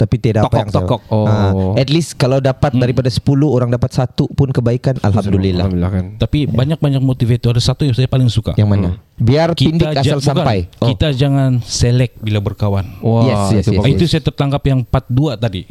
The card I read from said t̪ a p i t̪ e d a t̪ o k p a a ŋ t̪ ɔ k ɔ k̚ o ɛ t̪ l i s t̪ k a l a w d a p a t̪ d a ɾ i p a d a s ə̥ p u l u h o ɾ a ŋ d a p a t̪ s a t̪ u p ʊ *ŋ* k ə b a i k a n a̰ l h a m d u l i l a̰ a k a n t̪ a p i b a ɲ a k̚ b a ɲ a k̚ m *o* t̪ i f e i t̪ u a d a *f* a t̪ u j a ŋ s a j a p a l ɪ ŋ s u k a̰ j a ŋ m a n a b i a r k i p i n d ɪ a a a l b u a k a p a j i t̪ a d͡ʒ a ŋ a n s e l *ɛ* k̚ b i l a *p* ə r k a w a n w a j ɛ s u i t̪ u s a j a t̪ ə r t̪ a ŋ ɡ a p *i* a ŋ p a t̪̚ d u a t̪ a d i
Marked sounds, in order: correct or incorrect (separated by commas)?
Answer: incorrect, correct, incorrect, correct, incorrect, incorrect